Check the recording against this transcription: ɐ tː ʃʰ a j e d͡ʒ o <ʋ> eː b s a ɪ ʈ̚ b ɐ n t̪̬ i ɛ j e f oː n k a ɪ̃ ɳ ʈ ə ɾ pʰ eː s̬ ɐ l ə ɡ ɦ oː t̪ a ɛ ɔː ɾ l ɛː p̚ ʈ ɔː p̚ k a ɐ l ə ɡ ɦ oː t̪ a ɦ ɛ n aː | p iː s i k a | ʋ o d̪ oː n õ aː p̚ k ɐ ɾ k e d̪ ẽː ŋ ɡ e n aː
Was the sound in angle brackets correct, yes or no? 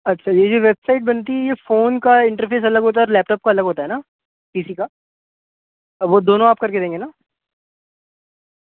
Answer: yes